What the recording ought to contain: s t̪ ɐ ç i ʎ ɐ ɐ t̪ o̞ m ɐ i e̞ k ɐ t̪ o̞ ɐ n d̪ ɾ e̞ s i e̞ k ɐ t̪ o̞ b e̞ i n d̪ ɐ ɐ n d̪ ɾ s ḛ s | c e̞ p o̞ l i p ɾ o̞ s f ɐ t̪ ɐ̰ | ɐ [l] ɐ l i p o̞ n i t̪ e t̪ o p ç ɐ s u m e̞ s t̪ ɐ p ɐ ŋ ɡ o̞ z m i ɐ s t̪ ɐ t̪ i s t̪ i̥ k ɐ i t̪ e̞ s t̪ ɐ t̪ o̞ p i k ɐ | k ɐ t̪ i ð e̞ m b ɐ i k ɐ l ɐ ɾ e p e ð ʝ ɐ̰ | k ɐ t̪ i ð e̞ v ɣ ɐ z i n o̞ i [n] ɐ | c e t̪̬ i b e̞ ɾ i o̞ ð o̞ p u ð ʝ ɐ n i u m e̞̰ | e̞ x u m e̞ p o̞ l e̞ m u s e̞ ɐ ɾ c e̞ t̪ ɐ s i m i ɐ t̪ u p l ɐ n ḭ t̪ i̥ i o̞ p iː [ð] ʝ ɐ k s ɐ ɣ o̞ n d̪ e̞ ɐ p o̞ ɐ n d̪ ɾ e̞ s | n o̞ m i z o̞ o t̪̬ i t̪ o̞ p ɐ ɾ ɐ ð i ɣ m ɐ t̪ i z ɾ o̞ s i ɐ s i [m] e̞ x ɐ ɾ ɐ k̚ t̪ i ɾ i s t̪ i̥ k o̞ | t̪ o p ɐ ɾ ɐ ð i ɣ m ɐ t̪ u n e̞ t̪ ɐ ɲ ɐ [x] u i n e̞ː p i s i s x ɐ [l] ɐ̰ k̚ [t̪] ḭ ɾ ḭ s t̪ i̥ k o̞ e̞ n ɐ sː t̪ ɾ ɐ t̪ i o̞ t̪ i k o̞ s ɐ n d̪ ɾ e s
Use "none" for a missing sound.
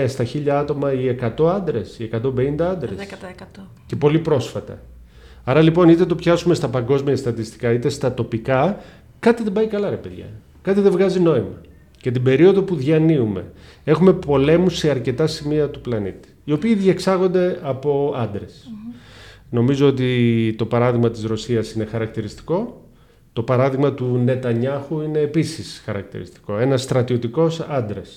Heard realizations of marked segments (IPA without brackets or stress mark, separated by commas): ɾ, m, ð, n, x, ɾ, t̪